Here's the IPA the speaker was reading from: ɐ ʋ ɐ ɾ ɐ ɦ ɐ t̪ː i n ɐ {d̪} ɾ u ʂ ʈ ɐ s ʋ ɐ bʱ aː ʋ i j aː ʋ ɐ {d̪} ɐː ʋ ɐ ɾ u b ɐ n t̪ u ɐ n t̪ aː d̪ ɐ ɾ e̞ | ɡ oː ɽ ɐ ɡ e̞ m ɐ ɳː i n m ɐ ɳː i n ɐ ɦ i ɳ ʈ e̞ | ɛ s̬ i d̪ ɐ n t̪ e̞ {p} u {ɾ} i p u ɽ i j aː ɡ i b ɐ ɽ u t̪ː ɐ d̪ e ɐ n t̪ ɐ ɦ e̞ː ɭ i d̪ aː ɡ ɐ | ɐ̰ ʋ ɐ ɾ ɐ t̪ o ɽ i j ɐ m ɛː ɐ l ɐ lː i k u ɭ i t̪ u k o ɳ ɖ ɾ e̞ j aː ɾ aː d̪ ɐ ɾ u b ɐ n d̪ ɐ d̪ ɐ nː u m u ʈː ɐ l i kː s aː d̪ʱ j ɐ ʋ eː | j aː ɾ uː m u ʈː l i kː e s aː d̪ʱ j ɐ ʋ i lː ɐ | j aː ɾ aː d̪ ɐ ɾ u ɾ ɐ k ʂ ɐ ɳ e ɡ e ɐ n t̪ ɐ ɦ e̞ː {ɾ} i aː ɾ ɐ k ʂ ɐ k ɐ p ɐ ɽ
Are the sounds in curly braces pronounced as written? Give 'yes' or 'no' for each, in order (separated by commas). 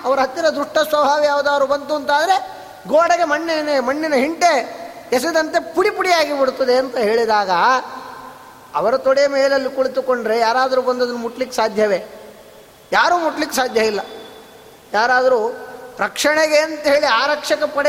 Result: yes, yes, yes, no, no